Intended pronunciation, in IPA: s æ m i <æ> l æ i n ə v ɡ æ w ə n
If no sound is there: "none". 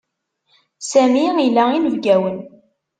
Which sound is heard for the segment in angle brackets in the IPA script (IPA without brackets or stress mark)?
i